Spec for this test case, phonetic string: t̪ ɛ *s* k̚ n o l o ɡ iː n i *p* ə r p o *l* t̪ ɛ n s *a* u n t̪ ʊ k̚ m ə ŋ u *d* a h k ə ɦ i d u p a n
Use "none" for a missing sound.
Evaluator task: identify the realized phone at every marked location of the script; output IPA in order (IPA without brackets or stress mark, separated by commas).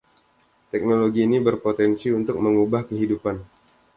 none, b, none, i, b